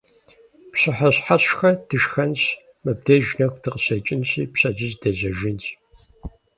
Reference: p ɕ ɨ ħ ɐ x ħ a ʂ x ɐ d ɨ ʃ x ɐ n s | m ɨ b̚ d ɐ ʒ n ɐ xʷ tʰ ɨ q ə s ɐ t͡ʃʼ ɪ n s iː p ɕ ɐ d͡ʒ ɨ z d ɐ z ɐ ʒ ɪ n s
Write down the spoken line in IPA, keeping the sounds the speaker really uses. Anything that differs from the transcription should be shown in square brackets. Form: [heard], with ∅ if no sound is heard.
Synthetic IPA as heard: p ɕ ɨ ħ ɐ [ɕ] ħ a [ɕ] x ɐ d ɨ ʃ x ɐ n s | m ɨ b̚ d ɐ ʒ n ɐ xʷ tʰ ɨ q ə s ɐ t͡ʃʼ ɪ n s iː p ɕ ɐ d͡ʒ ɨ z d ɐ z ɐ ʒ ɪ n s